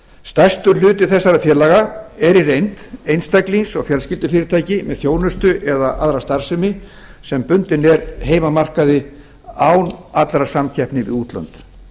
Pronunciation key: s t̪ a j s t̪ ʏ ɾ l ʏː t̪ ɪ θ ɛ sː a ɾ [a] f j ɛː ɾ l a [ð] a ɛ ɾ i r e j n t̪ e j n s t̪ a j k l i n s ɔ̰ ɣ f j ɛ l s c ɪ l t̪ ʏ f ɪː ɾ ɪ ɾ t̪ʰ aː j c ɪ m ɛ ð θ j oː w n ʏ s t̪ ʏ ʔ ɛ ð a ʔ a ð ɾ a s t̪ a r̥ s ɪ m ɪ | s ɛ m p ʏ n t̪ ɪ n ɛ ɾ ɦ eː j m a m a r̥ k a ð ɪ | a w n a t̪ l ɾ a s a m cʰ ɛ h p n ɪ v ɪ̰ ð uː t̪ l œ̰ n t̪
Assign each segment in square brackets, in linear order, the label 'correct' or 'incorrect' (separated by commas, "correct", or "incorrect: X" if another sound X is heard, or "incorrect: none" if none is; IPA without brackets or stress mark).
correct, incorrect: ɣ